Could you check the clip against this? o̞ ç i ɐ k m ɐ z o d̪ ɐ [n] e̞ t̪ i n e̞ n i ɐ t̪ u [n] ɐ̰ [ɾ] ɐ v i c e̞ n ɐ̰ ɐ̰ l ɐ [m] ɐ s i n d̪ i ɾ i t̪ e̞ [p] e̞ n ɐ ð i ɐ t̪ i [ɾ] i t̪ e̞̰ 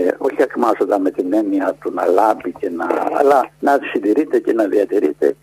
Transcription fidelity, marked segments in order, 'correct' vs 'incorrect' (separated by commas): incorrect, correct, incorrect, incorrect, incorrect, correct